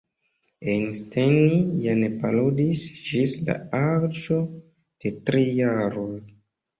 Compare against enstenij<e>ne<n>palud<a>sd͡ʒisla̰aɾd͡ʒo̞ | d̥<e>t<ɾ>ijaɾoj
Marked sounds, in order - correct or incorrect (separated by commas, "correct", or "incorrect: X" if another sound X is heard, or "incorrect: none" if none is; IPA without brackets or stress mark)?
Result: incorrect: a, incorrect: none, incorrect: i, correct, correct